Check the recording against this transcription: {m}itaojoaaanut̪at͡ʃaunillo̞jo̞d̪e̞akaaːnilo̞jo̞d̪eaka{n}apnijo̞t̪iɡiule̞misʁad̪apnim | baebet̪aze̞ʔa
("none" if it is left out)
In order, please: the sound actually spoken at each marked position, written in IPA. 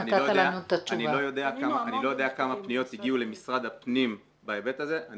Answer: n, m

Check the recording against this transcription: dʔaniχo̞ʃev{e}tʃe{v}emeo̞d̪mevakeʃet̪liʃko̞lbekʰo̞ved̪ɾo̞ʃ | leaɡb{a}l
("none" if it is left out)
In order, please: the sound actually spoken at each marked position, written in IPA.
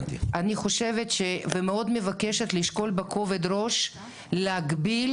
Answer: e, v, i

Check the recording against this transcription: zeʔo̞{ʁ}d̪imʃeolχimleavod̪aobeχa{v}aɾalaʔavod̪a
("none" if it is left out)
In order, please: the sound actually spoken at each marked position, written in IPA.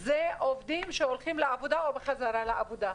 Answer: v, z

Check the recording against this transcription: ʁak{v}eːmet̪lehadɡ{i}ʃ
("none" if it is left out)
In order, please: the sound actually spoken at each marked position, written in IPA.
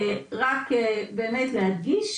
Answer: b, i

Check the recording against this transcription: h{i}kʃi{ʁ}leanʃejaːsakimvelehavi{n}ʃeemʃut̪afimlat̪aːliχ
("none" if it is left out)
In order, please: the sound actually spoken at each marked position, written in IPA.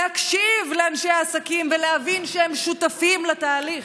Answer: a, v, n

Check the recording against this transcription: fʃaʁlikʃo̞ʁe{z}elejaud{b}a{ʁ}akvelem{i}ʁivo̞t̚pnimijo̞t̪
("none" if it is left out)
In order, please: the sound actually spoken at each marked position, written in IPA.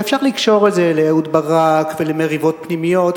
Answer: z, b, ʁ, e

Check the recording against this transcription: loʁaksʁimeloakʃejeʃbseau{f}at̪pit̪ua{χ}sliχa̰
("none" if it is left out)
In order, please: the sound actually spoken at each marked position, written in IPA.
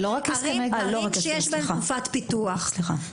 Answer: f, χ

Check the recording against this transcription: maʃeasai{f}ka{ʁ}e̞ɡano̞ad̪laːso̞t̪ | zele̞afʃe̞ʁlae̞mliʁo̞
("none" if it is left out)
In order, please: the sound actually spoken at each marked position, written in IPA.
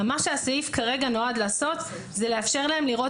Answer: f, ʁ

